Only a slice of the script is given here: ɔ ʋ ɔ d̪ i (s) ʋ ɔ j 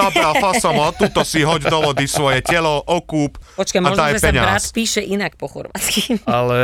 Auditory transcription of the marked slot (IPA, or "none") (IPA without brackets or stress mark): s